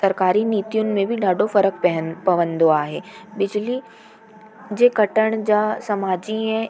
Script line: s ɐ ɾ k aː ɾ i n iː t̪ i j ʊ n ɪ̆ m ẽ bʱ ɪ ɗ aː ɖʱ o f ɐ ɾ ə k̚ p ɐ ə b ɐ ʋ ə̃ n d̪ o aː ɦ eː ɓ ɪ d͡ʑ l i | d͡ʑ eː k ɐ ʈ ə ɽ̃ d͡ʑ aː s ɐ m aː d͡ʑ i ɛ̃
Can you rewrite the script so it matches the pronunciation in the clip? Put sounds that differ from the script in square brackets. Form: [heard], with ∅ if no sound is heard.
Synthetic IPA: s ɐ ɾ k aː ɾ i n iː t̪ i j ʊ n ɪ̆ m ẽ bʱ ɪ ɗ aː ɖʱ o f ɐ ɾ ə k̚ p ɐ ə [p] ɐ ʋ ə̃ n d̪ o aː ɦ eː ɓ ɪ d͡ʑ l i | d͡ʑ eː k ɐ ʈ ə ɽ̃ d͡ʑ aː s ɐ m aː d͡ʑ i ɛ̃